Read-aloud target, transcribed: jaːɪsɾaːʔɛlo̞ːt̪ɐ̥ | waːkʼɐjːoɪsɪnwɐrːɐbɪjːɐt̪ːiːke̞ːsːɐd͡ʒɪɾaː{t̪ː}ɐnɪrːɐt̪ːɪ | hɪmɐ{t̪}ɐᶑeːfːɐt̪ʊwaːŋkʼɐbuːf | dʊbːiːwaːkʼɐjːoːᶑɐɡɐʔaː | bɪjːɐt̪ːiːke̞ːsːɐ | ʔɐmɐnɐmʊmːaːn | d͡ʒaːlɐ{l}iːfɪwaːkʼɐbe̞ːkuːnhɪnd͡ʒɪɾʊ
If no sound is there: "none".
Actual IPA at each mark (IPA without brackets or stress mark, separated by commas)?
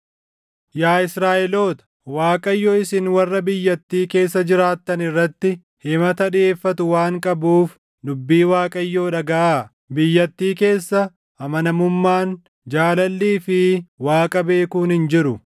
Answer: t̪ː, t̪, lː